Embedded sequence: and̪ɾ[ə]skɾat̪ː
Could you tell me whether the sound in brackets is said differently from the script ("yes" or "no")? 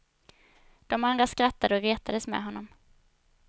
yes